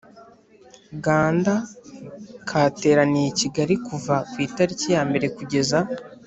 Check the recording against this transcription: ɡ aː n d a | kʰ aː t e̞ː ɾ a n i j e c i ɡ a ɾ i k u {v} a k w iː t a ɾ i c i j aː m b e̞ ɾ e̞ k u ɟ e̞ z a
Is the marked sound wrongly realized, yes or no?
no